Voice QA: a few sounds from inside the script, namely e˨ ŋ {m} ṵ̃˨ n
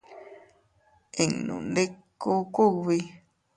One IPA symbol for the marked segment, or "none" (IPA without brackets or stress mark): n